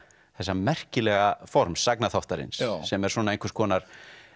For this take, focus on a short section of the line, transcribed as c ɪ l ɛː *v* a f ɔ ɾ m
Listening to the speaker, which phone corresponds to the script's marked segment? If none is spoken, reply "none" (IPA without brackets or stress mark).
ɣ